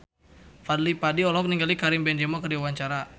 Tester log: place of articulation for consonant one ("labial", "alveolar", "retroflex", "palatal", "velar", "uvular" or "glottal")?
labial